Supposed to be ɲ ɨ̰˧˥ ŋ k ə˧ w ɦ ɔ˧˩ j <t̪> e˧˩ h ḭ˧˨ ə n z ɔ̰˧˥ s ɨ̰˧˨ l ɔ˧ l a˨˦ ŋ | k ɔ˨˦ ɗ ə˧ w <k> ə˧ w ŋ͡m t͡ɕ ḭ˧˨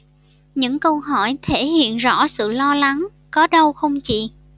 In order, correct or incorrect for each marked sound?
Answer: incorrect: t̪ʰ, incorrect: x

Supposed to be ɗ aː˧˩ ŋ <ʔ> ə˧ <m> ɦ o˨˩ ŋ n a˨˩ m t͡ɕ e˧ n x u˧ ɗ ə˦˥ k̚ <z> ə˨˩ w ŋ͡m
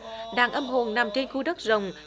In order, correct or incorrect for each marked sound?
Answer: correct, correct, correct

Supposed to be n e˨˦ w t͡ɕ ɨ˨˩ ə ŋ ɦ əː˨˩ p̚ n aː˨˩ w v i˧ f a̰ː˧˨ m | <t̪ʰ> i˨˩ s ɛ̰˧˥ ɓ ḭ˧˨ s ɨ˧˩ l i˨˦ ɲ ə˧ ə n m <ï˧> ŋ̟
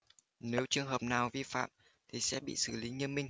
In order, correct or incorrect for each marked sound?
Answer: correct, correct

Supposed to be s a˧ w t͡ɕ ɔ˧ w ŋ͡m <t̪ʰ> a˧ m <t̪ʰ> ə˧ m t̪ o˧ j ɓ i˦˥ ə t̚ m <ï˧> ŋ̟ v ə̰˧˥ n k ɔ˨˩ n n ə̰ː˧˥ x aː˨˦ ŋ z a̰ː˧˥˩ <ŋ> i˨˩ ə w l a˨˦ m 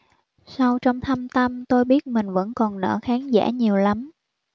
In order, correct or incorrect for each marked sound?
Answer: correct, incorrect: t̪, incorrect: ï˨˩, incorrect: ɲ

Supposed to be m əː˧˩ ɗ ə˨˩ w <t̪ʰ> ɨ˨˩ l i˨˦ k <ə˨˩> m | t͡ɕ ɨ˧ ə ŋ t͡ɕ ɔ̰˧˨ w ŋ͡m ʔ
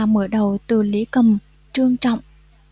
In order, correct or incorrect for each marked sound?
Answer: incorrect: t̪, correct

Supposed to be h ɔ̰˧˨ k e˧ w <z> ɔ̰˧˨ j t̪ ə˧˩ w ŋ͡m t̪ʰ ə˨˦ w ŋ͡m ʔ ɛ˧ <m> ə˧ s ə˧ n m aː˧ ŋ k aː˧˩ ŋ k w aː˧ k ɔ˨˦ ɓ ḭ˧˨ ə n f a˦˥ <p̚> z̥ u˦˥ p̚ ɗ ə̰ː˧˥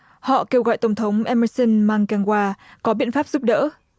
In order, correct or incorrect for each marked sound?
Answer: incorrect: ɣ, correct, correct

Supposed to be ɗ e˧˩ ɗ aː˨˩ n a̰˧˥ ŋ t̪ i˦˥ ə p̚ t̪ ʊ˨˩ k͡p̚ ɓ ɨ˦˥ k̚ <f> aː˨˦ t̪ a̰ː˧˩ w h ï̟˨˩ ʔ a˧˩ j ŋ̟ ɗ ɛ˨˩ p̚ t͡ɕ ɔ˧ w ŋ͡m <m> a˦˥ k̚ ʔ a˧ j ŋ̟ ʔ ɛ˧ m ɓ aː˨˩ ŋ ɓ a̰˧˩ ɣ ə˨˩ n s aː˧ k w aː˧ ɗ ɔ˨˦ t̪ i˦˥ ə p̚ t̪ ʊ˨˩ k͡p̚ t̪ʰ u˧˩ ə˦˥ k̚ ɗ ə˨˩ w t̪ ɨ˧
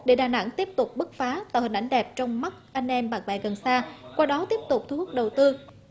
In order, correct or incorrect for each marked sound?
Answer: correct, correct

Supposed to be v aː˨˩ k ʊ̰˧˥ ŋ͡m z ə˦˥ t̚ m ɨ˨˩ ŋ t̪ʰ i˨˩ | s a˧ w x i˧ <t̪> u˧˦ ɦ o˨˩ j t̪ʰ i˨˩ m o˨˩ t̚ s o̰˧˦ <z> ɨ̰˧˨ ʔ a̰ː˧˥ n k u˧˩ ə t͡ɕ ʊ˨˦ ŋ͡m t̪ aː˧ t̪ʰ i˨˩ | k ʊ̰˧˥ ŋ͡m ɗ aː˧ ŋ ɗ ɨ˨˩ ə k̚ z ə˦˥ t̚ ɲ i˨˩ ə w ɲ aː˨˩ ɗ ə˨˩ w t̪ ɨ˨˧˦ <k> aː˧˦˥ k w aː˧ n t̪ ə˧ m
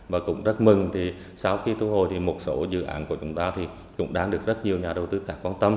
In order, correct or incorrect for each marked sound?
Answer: correct, correct, incorrect: x

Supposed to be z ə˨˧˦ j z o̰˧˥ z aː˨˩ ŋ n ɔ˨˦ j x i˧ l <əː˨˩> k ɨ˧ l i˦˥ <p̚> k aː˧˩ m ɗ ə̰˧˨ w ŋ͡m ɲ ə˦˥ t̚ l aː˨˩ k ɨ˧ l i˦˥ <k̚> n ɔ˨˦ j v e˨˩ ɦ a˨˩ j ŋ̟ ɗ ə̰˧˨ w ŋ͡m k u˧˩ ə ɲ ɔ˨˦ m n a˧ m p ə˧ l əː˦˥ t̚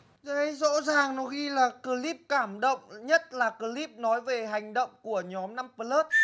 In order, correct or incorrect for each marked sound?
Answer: incorrect: aː˨˩, correct, incorrect: p̚

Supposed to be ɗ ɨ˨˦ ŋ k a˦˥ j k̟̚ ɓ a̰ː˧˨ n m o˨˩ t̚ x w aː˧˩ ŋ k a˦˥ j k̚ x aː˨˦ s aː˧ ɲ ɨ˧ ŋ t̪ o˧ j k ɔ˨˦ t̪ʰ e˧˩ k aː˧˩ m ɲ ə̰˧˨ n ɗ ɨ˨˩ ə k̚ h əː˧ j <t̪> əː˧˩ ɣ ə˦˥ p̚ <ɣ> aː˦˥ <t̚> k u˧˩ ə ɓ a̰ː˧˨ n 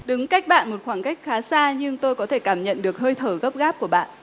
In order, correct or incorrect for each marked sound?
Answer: incorrect: t̪ʰ, correct, incorrect: p̚

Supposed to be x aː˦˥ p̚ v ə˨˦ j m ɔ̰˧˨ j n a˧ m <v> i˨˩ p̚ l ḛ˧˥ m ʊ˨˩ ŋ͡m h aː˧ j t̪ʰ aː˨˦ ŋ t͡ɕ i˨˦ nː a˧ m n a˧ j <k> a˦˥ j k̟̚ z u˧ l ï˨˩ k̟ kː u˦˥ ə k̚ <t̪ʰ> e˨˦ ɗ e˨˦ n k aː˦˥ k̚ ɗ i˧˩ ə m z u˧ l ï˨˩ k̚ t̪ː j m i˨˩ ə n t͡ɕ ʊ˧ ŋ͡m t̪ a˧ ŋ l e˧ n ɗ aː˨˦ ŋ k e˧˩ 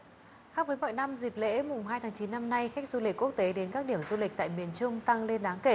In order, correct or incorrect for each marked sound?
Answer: incorrect: z, incorrect: x, incorrect: t̪

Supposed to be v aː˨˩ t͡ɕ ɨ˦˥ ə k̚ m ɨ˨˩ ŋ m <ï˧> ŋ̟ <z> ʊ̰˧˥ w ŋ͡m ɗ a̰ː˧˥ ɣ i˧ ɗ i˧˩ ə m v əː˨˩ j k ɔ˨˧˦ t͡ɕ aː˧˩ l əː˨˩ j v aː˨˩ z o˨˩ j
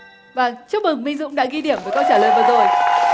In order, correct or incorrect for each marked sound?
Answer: correct, correct

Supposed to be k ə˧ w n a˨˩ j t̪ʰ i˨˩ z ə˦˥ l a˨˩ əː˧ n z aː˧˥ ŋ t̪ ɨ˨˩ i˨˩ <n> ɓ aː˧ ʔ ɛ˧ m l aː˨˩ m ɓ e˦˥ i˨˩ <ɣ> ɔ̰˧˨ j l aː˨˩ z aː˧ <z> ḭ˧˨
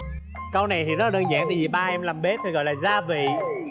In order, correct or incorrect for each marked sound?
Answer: incorrect: none, correct, incorrect: v

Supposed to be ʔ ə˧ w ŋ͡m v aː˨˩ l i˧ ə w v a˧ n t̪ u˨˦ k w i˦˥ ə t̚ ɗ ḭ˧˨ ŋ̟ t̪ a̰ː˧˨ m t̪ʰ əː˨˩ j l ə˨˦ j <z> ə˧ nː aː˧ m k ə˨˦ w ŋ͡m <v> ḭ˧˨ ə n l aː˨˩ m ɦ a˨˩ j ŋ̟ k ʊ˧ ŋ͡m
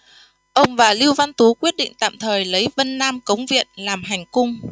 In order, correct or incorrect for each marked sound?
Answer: incorrect: v, correct

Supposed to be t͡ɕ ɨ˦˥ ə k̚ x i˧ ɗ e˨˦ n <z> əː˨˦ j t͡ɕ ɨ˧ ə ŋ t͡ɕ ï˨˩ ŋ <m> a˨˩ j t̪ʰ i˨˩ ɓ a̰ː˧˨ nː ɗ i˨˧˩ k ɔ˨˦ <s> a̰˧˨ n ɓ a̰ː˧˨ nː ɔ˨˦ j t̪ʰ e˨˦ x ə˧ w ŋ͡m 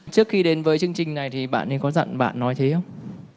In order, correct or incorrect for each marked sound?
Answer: incorrect: v, incorrect: n, incorrect: z

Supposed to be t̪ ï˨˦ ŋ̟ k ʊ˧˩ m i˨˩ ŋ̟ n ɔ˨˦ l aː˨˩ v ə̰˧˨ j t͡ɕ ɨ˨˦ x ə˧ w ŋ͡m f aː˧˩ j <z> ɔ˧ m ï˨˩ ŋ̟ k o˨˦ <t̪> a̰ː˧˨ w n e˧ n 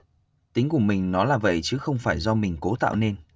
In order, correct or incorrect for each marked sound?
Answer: correct, correct

